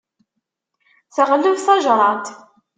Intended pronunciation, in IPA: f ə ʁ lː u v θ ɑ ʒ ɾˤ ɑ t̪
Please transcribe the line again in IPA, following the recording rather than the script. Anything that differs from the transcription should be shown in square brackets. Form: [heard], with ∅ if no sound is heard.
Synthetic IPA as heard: [θ] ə ʁ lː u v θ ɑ ʒ ɾˤ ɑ t̪